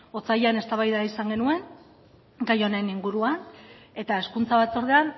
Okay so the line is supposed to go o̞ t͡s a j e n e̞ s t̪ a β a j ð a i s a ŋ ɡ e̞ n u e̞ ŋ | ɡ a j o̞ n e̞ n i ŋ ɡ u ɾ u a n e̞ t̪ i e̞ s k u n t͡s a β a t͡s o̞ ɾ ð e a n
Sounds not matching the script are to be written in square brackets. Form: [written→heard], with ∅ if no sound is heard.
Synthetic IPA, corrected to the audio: o̞ t͡s a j [e→a] n e̞ s t̪ a β a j ð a i s a ŋ ɡ e̞ n u e̞ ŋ | ɡ a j o̞ n e̞ n i ŋ ɡ u ɾ u a n e̞ t̪ [i→a] e̞ s k u n t͡s a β a t͡s o̞ ɾ ð e a n